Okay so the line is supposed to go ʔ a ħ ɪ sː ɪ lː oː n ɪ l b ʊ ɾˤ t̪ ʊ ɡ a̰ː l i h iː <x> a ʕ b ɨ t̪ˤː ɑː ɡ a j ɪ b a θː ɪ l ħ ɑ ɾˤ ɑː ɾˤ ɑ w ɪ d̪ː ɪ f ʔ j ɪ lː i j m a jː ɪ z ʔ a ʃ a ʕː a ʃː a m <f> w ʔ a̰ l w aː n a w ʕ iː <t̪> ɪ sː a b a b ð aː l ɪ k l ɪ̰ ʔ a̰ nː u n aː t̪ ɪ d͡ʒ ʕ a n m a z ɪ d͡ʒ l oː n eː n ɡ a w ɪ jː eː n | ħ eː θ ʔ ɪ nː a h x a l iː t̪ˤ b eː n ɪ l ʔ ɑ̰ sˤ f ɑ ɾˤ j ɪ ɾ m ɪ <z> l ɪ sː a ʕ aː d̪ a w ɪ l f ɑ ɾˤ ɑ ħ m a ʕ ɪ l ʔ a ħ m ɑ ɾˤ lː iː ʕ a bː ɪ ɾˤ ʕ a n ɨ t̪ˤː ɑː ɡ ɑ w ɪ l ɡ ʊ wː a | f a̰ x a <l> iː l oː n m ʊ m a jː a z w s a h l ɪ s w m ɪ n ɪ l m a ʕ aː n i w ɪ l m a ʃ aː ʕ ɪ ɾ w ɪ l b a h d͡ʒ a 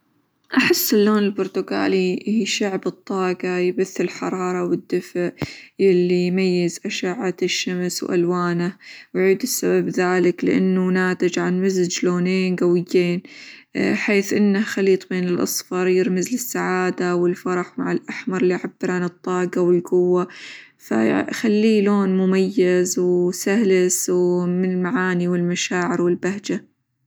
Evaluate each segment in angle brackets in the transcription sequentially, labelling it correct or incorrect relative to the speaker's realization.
incorrect: ʃ, incorrect: s, incorrect: d̪, correct, incorrect: lː

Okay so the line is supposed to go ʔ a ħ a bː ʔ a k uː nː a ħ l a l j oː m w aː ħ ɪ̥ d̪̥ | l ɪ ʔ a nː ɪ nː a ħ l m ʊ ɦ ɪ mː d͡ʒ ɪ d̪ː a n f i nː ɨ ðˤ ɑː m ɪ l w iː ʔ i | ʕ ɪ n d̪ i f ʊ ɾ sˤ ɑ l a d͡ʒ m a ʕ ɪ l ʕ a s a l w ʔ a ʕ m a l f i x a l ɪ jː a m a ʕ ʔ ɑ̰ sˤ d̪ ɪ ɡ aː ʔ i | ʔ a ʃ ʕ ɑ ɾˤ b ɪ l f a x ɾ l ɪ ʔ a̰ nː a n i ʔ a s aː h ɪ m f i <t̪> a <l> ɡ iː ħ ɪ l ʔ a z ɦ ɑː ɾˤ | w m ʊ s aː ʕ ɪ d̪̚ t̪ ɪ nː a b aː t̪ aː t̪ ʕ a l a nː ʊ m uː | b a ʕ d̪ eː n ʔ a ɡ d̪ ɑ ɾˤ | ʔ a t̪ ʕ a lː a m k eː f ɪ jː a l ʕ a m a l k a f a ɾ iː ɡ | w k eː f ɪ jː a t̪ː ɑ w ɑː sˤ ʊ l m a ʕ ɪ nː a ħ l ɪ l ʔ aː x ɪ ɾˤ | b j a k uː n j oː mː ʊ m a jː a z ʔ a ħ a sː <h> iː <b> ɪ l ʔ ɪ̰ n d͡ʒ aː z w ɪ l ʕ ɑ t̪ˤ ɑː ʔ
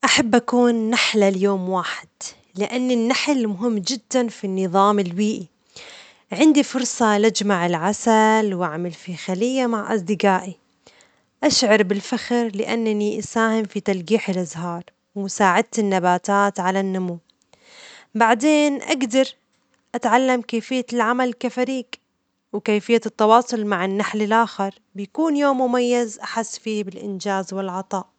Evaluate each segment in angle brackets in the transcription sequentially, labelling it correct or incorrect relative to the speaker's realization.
correct, correct, incorrect: f, correct

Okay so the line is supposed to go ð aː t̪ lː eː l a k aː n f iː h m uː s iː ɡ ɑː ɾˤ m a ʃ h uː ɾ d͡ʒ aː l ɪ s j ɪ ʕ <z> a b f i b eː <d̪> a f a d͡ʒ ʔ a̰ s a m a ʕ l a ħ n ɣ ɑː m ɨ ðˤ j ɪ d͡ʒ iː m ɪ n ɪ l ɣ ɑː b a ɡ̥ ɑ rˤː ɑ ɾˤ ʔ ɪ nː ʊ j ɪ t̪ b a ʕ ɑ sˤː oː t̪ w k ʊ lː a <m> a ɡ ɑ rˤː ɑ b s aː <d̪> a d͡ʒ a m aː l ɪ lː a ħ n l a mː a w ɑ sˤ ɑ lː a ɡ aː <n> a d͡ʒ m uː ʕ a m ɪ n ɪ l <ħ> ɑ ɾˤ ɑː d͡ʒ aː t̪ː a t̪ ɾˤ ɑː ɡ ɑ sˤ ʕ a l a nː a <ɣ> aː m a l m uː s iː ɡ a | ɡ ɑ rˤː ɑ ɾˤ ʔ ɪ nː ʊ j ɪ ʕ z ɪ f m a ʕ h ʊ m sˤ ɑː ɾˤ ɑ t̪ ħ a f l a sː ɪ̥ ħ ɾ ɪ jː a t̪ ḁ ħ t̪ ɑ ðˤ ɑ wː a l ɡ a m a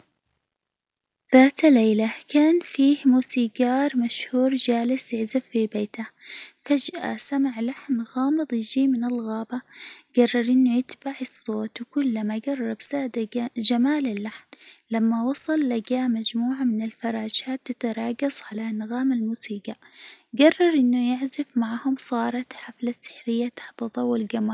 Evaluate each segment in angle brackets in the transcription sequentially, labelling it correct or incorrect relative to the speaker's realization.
correct, incorrect: t̪, correct, correct, incorrect: m, incorrect: f, correct

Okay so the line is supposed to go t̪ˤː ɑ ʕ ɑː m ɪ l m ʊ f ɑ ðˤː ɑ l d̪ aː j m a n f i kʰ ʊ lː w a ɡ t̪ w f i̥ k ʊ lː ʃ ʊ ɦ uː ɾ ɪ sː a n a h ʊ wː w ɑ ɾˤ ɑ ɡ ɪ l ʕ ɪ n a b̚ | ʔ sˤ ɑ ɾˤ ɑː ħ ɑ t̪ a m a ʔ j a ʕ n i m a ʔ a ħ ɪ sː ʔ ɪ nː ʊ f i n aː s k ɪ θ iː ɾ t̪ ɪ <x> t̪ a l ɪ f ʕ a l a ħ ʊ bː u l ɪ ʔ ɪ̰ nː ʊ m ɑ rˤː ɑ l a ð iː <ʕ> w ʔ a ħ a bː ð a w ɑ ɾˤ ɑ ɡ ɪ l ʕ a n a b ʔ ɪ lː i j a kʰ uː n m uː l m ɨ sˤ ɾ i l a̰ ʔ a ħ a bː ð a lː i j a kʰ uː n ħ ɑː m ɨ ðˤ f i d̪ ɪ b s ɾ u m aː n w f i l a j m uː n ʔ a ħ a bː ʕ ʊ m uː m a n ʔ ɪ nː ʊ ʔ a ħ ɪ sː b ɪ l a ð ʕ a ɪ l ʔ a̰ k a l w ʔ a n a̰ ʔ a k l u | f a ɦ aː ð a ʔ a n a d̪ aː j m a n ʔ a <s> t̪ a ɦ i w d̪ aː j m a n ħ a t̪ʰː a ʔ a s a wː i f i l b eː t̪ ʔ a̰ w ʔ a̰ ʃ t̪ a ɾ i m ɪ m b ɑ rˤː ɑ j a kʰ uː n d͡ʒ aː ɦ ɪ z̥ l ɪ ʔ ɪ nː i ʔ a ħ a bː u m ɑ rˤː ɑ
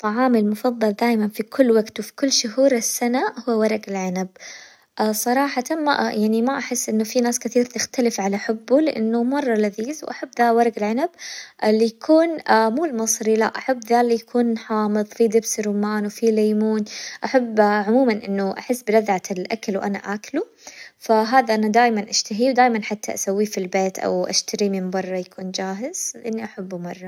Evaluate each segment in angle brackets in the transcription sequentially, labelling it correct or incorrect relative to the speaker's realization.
correct, incorrect: z, incorrect: ʃ

